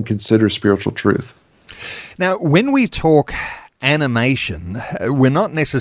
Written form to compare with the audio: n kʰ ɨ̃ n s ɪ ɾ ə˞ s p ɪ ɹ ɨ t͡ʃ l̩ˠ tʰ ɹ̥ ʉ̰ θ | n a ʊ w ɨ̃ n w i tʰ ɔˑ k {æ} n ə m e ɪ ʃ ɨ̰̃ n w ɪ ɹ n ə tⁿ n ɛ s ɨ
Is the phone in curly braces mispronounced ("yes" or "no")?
no